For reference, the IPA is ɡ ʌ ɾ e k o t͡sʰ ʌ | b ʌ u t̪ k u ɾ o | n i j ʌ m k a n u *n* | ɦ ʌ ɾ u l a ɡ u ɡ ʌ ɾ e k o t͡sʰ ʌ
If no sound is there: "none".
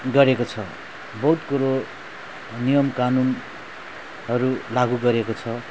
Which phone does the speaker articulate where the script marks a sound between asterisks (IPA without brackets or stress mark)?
n